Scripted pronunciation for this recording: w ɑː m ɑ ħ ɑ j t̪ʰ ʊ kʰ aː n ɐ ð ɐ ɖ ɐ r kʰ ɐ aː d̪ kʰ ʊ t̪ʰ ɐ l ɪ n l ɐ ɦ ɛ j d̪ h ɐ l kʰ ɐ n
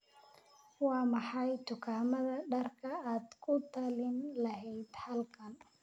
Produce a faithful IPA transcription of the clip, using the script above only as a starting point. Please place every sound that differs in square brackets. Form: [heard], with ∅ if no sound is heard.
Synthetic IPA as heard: w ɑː m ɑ ħ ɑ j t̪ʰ ʊ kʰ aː [m] ɐ ð ɐ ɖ ɐ r kʰ ɐ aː d̪ kʰ ʊ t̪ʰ ɐ l ɪ n l ɐ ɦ ɛ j d̪ h ɐ l kʰ ɐ n